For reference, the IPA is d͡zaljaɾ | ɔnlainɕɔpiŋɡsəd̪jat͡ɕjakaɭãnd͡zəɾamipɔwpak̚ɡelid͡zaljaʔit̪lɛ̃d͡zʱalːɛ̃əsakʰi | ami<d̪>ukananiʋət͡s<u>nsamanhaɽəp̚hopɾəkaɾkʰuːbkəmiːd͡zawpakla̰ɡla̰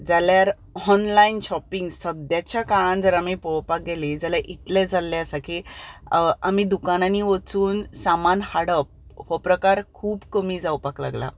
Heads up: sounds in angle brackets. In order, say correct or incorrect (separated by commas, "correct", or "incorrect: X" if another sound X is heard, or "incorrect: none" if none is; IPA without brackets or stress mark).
correct, incorrect: uː